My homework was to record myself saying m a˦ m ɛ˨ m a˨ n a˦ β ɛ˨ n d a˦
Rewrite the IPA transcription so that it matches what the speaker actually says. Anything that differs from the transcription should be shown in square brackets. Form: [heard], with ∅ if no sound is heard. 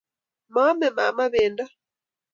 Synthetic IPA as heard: m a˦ m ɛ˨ m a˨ [m] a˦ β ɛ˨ n d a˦